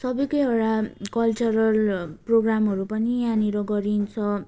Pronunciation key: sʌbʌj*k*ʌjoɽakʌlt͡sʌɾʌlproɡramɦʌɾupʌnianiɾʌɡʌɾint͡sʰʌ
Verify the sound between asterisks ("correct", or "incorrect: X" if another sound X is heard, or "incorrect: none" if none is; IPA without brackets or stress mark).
correct